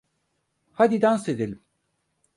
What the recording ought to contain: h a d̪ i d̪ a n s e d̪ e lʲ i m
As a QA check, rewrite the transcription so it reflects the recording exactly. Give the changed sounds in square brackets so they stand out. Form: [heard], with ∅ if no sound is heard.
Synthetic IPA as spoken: h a d̪ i d̪ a n s e d̪ e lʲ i m